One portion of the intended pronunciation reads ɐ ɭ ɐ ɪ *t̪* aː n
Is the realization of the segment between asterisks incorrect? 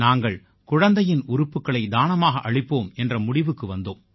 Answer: yes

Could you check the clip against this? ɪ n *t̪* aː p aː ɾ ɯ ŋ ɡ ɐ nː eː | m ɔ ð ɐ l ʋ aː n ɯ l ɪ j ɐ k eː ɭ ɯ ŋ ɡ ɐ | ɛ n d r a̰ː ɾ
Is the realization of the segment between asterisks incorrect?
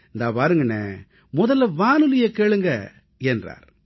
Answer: yes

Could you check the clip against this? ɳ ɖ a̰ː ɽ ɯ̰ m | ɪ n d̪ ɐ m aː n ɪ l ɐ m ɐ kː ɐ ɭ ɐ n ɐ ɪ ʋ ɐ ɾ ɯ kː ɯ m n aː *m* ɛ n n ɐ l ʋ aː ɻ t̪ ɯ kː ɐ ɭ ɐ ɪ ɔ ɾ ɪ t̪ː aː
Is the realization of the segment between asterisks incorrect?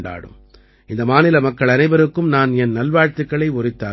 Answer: yes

